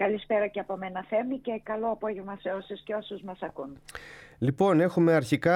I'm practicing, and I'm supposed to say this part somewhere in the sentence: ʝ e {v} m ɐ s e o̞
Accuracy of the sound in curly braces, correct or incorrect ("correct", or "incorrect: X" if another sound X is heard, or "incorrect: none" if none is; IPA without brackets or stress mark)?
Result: correct